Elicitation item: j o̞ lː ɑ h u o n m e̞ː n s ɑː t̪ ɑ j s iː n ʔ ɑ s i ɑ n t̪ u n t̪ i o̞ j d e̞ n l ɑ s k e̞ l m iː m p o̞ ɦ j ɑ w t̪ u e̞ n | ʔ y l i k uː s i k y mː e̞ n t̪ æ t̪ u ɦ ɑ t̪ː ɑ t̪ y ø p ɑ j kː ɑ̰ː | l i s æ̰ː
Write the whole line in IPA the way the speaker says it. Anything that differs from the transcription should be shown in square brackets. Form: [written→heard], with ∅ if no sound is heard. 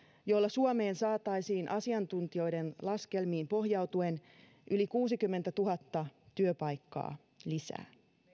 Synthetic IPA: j o̞ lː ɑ [h→s] u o [n→∅] m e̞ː n s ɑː t̪ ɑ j s iː n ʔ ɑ s i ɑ n t̪ u n t̪ i o̞ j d e̞ n l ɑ s k e̞ l m iː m p o̞ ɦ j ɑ w t̪ u e̞ n | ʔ y l i k uː s i k y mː e̞ n t̪ æ t̪ u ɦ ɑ t̪ː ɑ t̪ y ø p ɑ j kː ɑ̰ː | l i s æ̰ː